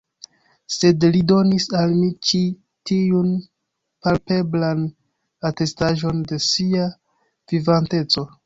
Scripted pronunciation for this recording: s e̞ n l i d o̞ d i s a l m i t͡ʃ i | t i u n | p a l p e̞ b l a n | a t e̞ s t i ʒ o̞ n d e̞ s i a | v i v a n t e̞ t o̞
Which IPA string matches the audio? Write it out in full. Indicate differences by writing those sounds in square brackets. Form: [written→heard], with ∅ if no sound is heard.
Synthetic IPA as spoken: s e̞ [n→d] l i d o̞ [d→n] i s a l m i t͡ʃ i | t i u n | p a l p e̞ b l a n | a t e̞ s t [i→a] ʒ o̞ n d e̞ s i a | v i v a n t e̞ [t→t͡s] o̞